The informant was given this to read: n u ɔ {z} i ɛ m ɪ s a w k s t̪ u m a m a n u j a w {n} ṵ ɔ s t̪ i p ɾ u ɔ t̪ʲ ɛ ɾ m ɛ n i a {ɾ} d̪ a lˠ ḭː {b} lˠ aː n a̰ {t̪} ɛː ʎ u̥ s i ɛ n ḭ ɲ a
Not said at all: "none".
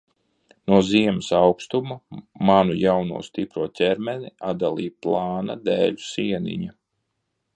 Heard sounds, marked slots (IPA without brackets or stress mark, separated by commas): z, n, none, p, d̪